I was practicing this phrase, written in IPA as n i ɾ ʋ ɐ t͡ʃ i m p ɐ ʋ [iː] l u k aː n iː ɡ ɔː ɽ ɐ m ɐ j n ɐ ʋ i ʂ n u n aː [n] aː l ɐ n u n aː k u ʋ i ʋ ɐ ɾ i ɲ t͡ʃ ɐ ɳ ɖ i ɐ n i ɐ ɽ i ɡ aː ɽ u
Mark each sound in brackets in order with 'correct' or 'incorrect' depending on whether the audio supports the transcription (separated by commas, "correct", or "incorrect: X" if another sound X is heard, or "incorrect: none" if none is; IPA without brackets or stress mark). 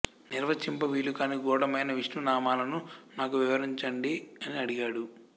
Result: correct, incorrect: m